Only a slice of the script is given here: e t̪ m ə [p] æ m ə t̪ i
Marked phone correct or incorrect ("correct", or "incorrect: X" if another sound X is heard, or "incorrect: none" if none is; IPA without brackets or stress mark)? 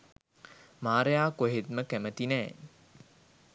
incorrect: k